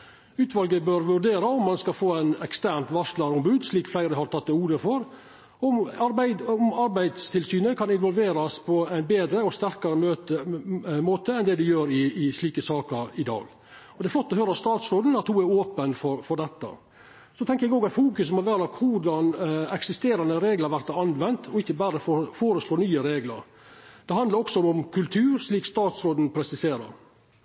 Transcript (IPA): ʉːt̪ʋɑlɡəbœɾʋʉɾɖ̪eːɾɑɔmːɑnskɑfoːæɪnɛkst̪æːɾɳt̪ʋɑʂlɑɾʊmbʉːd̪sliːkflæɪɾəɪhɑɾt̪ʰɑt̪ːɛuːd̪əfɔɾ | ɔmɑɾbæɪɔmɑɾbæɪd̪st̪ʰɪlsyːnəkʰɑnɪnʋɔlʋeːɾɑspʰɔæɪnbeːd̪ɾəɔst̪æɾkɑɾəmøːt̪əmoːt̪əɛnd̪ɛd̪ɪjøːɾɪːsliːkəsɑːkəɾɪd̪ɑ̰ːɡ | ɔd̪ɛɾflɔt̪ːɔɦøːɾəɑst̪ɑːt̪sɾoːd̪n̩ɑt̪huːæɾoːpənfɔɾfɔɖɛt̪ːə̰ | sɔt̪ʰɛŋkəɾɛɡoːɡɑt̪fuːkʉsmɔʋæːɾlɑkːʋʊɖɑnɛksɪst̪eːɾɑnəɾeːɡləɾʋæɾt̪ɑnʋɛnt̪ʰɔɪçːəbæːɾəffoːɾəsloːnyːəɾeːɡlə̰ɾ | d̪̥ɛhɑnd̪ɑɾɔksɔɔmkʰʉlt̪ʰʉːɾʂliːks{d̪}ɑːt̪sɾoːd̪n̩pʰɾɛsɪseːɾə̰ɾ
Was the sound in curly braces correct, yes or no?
no